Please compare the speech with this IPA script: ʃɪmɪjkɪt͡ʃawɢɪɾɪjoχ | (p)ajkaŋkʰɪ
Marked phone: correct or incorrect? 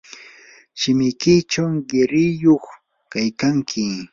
incorrect